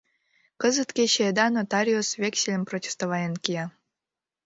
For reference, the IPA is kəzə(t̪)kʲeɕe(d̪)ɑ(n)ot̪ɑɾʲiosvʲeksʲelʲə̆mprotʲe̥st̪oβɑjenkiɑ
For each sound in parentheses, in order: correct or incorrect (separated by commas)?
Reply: correct, correct, correct